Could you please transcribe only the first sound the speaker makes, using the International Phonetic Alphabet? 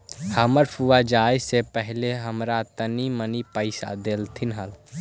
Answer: h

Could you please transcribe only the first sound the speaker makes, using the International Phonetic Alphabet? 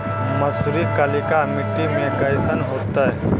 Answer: m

